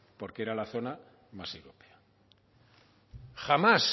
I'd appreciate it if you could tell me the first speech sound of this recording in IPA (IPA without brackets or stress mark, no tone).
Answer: p